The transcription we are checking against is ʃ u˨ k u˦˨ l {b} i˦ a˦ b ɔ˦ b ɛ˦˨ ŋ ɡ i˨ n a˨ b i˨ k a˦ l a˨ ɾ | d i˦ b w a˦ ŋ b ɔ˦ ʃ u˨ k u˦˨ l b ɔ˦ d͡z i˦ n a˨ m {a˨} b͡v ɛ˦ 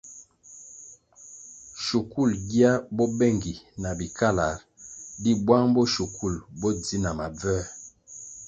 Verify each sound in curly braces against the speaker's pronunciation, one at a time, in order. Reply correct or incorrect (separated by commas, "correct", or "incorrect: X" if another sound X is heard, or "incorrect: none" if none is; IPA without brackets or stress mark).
incorrect: ɡ, correct